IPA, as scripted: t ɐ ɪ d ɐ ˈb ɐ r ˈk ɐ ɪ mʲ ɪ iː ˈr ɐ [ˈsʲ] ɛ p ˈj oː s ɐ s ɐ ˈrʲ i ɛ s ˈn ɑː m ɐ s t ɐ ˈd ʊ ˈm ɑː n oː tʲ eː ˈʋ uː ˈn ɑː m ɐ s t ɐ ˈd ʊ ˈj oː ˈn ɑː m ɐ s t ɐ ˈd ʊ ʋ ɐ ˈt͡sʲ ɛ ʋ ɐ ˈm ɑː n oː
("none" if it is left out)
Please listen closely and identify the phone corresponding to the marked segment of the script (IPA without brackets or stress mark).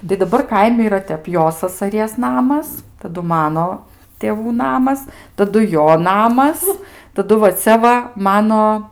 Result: tʲ